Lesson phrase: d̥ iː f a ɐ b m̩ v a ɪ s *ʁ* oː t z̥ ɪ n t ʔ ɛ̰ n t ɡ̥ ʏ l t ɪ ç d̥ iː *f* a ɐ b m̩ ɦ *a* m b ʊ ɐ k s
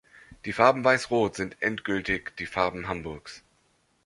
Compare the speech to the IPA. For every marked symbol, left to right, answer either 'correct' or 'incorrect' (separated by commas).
correct, correct, correct